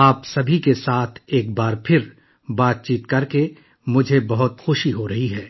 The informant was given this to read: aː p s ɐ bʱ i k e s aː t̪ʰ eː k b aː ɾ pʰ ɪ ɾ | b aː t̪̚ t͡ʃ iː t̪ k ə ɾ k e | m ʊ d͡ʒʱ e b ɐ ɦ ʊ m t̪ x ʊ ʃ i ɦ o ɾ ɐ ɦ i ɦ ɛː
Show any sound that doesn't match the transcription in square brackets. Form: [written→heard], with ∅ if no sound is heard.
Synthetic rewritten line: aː p s ɐ bʱ i k e s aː t̪ʰ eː k b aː ɾ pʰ ɪ ɾ | b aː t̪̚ t͡ʃ iː t̪ k [ə→ɐ] ɾ k e | m ʊ d͡ʒʱ e b ɐ ɦ ʊ [m→∅] t̪ x ʊ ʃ i ɦ o ɾ ɐ ɦ i ɦ ɛː